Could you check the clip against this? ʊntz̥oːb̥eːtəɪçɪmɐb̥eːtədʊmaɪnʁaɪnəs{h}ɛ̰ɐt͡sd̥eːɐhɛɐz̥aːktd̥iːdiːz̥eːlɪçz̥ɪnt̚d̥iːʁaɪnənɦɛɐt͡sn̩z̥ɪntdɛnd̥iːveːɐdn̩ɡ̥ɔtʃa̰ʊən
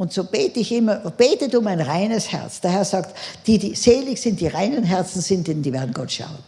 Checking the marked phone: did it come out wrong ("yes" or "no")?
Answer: no